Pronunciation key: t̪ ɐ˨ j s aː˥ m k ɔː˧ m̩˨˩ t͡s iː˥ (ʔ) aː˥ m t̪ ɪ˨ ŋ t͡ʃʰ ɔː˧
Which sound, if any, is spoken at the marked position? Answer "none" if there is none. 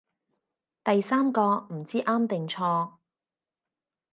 ʔ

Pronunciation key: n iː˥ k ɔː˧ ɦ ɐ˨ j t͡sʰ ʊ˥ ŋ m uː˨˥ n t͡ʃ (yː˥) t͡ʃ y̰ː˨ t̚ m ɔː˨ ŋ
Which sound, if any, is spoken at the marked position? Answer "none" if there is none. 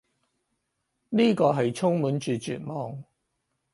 yː˨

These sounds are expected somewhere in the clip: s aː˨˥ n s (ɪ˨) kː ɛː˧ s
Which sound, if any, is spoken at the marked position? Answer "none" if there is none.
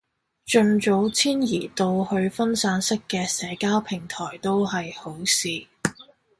ɪ˥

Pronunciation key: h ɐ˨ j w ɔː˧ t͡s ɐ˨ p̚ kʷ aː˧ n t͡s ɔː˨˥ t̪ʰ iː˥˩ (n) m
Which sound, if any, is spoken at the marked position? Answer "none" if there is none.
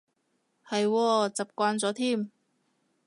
none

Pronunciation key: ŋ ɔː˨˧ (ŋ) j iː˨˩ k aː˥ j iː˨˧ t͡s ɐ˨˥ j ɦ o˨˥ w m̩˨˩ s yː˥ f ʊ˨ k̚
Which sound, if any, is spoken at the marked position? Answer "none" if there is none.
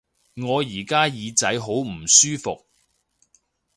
none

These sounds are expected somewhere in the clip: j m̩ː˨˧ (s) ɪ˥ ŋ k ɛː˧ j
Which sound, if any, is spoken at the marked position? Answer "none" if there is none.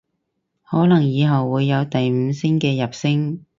s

